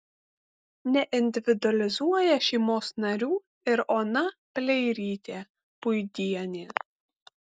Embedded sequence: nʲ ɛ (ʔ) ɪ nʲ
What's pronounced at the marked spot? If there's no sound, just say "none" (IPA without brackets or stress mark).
ʔ